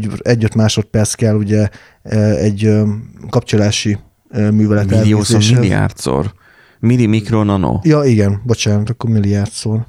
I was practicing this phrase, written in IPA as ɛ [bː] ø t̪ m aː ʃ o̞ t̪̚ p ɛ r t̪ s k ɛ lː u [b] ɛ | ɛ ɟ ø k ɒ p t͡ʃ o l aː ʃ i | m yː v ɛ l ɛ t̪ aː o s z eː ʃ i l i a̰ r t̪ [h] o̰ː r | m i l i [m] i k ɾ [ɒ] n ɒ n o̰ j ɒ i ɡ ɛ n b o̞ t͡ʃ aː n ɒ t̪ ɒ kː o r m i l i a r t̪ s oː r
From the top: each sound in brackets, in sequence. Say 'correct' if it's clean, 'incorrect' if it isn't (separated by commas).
incorrect, incorrect, incorrect, correct, incorrect